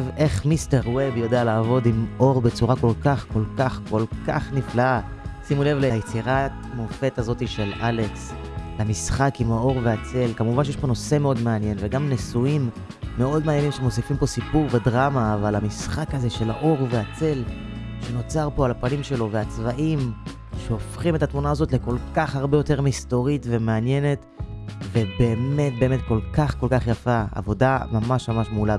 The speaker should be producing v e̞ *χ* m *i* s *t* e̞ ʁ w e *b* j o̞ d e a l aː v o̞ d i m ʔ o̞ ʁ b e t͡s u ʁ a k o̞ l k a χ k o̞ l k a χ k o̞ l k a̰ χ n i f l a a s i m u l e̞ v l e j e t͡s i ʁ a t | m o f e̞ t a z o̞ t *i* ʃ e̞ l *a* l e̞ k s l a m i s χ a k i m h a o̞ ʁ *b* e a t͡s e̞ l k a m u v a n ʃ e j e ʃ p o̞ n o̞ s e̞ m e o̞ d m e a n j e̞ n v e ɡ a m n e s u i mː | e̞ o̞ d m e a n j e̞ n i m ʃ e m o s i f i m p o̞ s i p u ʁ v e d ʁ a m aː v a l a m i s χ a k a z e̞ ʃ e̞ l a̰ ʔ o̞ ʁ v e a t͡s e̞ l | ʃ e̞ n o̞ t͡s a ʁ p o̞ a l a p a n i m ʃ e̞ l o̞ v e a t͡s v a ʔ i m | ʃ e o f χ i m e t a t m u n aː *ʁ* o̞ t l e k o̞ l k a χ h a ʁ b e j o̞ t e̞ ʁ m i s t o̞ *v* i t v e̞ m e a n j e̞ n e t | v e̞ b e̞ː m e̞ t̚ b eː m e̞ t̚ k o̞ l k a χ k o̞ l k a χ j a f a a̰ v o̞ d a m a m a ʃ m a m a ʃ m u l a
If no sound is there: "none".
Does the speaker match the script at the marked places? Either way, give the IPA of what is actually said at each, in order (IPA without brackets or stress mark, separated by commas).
χ, i, t, b, i, a, v, z, ʁ